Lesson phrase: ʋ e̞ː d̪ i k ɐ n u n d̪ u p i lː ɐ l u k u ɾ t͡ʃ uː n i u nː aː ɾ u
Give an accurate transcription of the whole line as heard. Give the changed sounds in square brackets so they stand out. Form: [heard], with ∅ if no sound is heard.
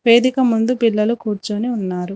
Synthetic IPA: ʋ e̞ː d̪ i k ɐ [m] u n d̪ u p i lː ɐ l u k [uː] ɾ t͡ʃ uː n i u nː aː ɾ u